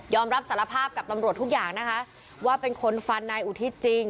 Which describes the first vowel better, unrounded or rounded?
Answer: rounded